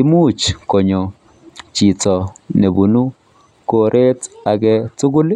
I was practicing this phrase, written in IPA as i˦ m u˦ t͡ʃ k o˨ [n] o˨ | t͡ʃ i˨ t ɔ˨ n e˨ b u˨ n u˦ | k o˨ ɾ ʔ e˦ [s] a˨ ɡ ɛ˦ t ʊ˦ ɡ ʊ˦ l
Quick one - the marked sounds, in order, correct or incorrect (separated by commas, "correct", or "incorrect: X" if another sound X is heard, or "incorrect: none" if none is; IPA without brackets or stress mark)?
incorrect: ɲ, incorrect: t